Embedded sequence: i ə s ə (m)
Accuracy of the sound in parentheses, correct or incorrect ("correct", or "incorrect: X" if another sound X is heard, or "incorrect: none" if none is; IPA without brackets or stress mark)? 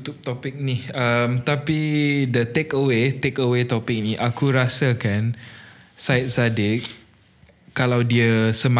correct